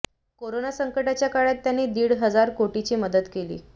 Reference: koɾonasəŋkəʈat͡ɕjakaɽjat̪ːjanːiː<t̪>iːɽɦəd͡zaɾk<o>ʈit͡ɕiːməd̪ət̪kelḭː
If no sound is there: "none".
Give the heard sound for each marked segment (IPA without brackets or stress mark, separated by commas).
d̪, o